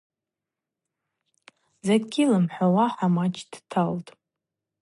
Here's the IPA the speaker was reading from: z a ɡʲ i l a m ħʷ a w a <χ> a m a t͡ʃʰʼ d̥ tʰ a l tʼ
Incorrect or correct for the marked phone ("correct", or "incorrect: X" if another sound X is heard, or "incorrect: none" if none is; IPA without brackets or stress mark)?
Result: incorrect: ħ